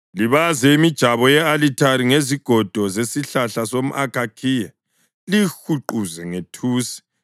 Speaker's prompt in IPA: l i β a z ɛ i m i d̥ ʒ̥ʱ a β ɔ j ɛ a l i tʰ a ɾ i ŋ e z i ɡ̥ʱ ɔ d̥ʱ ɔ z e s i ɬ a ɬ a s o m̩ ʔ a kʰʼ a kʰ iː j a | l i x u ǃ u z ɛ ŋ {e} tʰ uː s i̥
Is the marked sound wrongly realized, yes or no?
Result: no